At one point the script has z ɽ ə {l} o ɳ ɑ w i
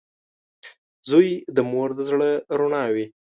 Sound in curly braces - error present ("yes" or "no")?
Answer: yes